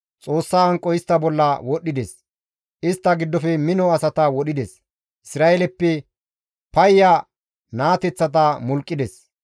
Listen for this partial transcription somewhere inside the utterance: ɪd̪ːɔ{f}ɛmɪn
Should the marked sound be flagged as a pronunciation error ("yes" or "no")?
no